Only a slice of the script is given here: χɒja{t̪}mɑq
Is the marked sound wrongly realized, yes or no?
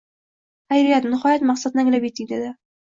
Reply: no